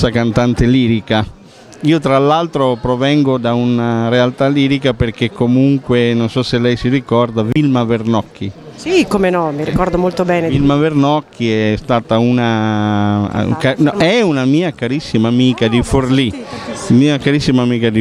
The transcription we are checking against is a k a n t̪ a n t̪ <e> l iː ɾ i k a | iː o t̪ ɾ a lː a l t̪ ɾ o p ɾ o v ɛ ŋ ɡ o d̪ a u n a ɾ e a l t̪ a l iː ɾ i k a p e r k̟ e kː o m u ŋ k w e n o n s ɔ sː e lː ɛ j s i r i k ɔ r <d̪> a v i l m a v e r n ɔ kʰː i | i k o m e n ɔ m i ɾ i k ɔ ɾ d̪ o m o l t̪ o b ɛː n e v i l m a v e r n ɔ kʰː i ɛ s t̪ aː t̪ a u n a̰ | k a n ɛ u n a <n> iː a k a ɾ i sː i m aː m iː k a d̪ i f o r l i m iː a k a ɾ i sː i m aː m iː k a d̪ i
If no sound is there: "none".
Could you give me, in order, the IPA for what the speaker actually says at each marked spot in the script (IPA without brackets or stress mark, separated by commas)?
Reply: e, d̪, m